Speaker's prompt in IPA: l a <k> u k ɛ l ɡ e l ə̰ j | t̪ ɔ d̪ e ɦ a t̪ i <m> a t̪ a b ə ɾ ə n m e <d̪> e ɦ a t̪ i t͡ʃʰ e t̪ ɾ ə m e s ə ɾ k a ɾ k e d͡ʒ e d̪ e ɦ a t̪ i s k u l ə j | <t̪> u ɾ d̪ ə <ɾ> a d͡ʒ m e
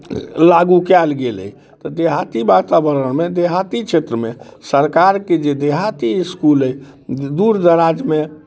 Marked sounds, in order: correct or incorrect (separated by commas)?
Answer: incorrect, incorrect, correct, incorrect, correct